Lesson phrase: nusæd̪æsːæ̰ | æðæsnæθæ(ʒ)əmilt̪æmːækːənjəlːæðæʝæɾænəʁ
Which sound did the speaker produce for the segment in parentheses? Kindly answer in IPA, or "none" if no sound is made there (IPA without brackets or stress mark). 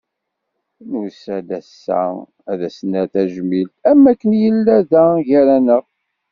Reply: ʒ